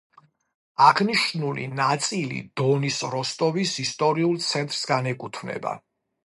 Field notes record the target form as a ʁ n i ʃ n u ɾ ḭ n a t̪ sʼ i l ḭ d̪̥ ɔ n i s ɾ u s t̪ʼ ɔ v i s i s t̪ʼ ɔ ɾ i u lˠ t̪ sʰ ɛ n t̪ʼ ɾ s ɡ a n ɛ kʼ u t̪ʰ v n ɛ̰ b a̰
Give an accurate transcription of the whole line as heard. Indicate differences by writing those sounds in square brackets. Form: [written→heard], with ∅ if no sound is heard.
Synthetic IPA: a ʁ n i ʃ n u [ɾ→l] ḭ n a t̪ sʼ i l ḭ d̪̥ ɔ n i s ɾ [u→ɔ] s t̪ʼ ɔ v i s i s t̪ʼ ɔ ɾ i u lˠ t̪ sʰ ɛ n t̪ʼ ɾ s ɡ a n ɛ kʼ u t̪ʰ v n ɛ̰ b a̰